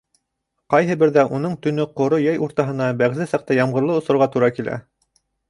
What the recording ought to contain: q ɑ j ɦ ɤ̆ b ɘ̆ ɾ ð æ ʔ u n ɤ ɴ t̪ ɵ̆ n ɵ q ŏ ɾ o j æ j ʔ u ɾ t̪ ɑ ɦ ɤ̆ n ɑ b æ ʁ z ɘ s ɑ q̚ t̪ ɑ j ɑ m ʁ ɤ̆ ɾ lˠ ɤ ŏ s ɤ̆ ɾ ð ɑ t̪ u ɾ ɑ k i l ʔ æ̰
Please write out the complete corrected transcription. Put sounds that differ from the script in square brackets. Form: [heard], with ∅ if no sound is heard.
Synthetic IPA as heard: q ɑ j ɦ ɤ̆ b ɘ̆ ɾ ð æ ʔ u n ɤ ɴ t̪ ɵ̆ n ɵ q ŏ ɾ o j æ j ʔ u ɾ t̪ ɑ ɦ ɤ̆ n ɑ b æ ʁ z ɘ s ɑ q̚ t̪ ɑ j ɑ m ʁ ɤ̆ ɾ lˠ ɤ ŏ s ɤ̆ ɾ [ʁ] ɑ t̪ u ɾ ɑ k i l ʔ æ̰